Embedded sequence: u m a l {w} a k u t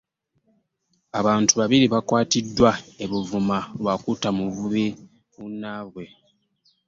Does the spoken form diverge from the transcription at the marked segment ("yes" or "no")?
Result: no